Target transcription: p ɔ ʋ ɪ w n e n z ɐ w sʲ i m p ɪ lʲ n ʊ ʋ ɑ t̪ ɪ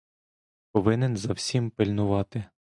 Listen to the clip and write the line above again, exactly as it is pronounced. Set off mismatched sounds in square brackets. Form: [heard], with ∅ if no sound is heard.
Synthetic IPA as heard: p ɔ ʋ ɪ [∅] n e n z ɐ w sʲ i m p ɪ lʲ n ʊ ʋ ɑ t̪ ɪ